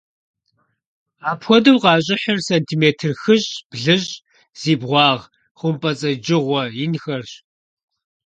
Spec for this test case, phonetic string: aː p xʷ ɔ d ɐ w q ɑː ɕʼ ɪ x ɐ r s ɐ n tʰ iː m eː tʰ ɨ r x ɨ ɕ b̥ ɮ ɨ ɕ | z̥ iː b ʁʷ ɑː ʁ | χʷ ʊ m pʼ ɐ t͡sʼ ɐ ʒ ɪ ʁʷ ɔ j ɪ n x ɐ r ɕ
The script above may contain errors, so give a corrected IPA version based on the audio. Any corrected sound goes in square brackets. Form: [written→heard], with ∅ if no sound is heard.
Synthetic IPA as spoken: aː p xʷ ɔ d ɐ w q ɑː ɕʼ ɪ [x→ħ] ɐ r s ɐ n tʰ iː m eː tʰ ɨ r x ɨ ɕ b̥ ɮ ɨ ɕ | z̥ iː b ʁʷ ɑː ʁ | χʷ ʊ m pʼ ɐ t͡sʼ ɐ [ʒ→d͡ʒ] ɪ ʁʷ ɔ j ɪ n x ɐ r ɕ